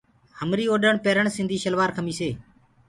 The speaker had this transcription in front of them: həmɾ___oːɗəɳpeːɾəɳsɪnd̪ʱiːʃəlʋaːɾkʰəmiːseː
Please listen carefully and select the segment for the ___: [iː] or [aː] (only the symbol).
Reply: iː